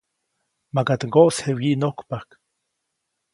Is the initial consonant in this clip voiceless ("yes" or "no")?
no